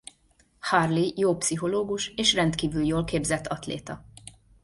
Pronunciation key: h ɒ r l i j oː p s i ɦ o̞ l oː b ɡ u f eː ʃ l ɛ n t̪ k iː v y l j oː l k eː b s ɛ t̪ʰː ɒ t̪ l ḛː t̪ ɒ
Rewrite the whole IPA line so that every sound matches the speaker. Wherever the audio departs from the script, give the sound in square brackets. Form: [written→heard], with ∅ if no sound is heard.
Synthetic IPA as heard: h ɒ r l i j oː p s i ɦ o̞ l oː [b→∅] ɡ u [f→ʃ] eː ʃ [l→r] ɛ n t̪ k iː v y l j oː l k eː b [s→z] ɛ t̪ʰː ɒ t̪ l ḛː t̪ ɒ